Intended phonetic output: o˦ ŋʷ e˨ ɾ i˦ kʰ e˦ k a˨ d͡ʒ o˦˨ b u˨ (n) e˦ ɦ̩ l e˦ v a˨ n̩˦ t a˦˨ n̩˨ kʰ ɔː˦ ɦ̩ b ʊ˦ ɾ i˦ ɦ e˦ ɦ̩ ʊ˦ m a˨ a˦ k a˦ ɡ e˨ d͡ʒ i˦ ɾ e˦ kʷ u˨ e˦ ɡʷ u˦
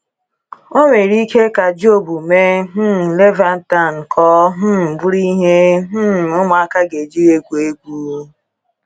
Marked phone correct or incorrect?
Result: incorrect